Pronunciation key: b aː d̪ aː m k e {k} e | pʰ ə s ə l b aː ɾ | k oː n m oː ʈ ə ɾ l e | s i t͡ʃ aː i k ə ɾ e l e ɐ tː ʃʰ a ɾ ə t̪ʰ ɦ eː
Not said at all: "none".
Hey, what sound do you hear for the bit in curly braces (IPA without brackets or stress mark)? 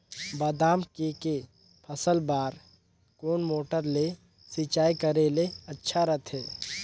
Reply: k